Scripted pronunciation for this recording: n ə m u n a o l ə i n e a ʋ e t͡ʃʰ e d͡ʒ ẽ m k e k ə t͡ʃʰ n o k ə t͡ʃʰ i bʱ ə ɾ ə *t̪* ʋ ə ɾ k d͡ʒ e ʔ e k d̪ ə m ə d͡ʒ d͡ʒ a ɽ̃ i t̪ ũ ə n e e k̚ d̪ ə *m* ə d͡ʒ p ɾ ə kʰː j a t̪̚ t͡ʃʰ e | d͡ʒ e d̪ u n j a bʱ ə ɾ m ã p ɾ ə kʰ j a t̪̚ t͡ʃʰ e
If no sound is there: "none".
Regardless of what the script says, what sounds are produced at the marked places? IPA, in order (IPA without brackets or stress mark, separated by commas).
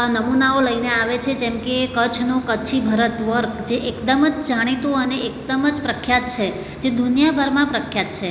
t̪, m